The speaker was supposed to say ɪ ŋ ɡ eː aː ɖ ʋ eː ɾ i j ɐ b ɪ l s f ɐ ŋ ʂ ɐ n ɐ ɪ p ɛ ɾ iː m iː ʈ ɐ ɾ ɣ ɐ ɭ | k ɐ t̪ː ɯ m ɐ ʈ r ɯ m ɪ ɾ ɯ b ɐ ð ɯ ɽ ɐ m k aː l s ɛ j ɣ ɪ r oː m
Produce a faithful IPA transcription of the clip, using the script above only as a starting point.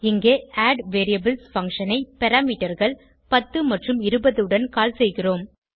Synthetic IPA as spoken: ɪ ŋ ɡ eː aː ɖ ʋ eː ɾ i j ɐ b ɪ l s f ɐ ŋ ʂ ɐ n ɐ ɪ p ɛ ɾ aː m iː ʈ ɐ ɾ ɣ ɐ ɭ | p ɐ t̪ː ɯ m ɐ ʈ r ɯ m ɪ ɾ ɯ b ɐ ð ɯ ɽ ɐ n k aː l s ɛ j ɣ ɪ r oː m